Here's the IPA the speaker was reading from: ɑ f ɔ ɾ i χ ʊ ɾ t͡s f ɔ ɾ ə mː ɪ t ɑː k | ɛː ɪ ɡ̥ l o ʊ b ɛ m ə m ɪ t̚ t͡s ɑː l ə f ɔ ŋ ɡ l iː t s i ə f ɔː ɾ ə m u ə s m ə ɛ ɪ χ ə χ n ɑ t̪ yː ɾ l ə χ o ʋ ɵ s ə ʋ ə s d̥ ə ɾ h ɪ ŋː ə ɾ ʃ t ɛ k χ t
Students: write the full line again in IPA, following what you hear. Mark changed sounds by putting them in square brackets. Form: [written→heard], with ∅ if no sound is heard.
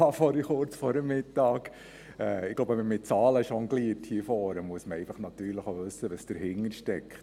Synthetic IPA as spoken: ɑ f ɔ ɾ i χ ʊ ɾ t͡s f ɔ ɾ ə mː ɪ t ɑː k | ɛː ɪ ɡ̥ l o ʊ b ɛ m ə m ɪ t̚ t͡s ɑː l ə [f→ʃ] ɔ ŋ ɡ l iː t [s→h] i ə f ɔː ɾ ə m u ə s m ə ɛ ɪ [χ→f] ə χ n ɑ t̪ yː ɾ l ə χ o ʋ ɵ s ə ʋ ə s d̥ ə ɾ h ɪ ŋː ə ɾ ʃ t ɛ k χ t